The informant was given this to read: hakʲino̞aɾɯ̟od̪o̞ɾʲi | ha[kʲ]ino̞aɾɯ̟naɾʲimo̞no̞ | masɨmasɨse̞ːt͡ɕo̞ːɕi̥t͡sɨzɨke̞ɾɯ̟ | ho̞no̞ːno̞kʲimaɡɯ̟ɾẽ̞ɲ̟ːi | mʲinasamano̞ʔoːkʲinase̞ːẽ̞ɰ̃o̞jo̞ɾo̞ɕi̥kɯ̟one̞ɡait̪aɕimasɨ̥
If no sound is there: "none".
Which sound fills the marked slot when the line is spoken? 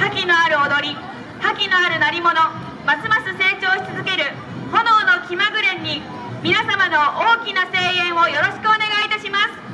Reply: kʲ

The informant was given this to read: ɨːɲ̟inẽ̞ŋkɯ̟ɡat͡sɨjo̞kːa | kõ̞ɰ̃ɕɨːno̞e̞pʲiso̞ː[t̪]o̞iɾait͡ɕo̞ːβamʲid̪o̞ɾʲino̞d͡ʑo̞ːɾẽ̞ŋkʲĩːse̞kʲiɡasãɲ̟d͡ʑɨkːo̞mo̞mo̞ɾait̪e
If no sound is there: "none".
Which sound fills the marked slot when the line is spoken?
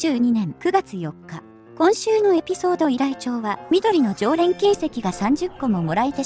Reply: d̪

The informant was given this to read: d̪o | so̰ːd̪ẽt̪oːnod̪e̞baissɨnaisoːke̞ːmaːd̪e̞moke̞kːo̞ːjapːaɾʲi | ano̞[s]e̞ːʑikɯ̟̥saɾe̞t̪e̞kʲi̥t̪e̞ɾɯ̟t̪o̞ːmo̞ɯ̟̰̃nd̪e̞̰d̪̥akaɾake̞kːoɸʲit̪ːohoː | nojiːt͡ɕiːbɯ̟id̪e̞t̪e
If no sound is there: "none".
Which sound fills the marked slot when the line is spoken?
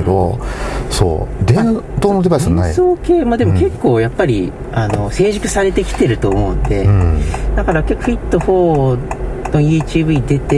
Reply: s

